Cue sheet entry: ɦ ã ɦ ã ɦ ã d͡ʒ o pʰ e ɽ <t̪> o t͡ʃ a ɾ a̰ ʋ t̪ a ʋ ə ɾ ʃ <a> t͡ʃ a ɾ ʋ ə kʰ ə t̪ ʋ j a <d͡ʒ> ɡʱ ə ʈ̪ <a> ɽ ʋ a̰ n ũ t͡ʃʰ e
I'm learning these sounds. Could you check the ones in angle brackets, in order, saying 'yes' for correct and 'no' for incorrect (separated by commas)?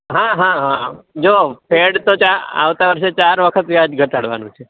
yes, no, yes, yes